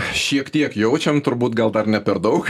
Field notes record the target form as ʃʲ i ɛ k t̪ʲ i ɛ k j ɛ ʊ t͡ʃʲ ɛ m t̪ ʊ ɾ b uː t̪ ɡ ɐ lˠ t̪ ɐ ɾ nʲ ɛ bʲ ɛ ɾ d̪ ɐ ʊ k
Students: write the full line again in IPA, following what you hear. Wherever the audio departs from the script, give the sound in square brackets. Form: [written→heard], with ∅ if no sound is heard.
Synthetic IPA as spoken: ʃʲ i ɛ k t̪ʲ i ɛ k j ɛ ʊ t͡ʃʲ ɛ m t̪ ʊ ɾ b uː t̪ ɡ ɐ lˠ [t̪→d̪] ɐ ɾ nʲ ɛ [bʲ→pʲ] ɛ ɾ d̪ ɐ ʊ k